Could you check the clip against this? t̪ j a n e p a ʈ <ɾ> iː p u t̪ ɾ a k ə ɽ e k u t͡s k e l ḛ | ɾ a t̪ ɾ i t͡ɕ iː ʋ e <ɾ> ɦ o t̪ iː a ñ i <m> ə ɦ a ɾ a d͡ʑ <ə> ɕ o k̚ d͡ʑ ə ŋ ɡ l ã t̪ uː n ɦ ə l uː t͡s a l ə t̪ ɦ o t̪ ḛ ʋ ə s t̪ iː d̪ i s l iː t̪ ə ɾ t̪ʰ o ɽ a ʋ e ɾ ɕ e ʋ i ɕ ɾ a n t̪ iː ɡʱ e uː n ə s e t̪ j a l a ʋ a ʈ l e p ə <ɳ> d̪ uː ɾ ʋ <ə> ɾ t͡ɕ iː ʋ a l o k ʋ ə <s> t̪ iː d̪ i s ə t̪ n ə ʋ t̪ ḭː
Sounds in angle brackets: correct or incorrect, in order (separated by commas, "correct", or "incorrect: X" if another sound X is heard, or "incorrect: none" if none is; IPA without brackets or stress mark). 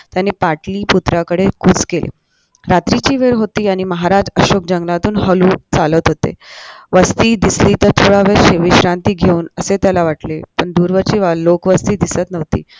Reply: incorrect: l, correct, correct, correct, correct, correct, correct